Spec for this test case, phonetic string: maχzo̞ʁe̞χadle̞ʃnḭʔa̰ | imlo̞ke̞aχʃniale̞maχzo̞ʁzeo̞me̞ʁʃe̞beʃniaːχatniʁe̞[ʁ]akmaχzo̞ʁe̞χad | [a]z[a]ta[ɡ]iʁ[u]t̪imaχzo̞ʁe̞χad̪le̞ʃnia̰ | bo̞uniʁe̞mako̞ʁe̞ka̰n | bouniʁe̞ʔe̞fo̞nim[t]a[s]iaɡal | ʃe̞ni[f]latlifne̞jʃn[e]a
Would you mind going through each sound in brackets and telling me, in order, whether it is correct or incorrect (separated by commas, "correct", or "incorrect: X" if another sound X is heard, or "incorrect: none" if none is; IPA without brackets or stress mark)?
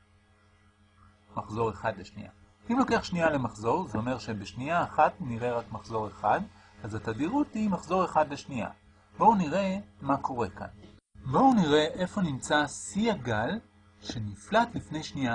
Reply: correct, correct, correct, incorrect: d, correct, incorrect: t͡s, correct, correct, incorrect: i